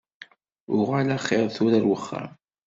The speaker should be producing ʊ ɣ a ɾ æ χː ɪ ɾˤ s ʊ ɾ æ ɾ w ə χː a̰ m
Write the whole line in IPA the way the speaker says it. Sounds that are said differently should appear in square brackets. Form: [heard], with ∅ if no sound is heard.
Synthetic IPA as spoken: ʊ [ʁ] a [l] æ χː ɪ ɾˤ [θ] ʊ ɾ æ ɾ w ə χː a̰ m